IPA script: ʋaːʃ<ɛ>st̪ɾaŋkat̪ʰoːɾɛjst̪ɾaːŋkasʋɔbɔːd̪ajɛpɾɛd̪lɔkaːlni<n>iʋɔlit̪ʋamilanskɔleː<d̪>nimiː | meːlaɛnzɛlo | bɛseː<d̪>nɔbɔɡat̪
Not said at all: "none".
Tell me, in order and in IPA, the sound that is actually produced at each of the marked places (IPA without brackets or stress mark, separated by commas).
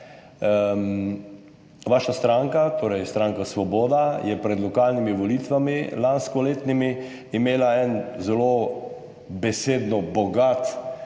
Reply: a, m, t̪, d̪